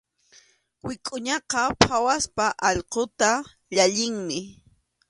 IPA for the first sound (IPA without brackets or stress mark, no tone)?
w